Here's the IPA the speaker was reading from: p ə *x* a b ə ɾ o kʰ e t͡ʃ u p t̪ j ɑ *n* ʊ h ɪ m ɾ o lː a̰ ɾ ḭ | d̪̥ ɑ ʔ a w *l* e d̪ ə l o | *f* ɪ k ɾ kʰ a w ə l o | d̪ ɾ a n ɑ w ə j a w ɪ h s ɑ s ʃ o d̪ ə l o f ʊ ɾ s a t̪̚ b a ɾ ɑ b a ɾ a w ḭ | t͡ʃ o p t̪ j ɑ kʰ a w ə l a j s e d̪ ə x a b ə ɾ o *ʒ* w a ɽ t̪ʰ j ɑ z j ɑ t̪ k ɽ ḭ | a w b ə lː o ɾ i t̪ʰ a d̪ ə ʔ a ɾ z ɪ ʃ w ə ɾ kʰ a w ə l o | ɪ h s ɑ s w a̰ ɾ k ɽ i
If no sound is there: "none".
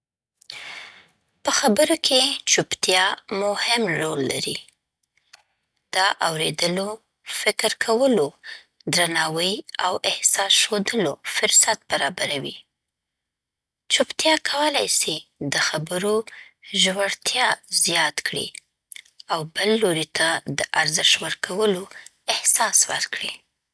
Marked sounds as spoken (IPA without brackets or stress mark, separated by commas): x, m, ɾ, f, ʒ